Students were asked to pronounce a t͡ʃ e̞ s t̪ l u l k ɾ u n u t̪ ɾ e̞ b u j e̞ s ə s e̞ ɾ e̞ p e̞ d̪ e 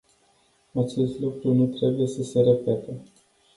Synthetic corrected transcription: a t͡ʃ e̞ s t̪ l u k ɾ u n u t̪ ɾ e̞ b u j e̞ s ə s e̞ ɾ e̞ p e̞ t̪ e